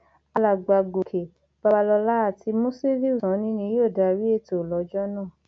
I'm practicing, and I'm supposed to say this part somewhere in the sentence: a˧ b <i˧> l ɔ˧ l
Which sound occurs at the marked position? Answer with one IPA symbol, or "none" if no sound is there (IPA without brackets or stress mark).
a˧